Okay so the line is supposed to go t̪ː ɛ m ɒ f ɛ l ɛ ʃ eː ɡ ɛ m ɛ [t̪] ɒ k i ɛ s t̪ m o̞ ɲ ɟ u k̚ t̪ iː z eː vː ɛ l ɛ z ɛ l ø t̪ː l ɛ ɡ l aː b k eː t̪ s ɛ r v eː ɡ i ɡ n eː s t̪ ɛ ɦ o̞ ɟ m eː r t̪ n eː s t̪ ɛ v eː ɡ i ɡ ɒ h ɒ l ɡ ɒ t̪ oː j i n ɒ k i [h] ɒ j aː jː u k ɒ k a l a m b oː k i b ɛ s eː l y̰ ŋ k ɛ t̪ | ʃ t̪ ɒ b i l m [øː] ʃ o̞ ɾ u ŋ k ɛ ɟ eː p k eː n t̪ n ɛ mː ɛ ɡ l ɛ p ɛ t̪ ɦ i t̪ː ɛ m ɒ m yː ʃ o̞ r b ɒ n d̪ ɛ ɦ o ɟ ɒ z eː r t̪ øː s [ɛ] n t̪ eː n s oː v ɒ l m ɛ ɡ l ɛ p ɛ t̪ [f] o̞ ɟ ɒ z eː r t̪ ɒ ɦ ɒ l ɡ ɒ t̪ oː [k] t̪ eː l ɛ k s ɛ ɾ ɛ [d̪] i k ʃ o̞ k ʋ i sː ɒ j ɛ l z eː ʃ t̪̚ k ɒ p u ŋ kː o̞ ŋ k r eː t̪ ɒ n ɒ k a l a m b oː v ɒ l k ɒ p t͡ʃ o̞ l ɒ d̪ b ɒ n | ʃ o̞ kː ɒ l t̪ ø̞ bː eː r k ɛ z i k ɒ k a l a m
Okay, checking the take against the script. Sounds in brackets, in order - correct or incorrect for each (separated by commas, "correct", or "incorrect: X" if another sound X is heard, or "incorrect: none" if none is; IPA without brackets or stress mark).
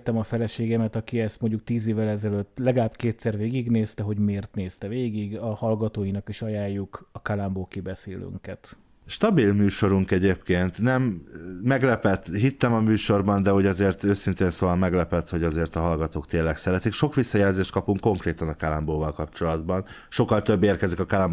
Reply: correct, incorrect: ʃ, incorrect: yː, incorrect: i, incorrect: h, correct, incorrect: t̪